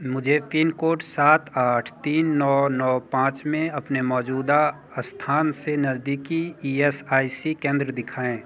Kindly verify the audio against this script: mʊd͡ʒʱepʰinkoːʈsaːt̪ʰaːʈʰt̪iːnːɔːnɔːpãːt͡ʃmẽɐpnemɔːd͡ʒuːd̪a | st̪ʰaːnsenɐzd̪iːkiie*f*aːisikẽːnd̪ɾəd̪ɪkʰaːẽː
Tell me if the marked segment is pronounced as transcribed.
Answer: no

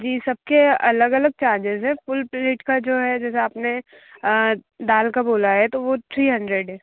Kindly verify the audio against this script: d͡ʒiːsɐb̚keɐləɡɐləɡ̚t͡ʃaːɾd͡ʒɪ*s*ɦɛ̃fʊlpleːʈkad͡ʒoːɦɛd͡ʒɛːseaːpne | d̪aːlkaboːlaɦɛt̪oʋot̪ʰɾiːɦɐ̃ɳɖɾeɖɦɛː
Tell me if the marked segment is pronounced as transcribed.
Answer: no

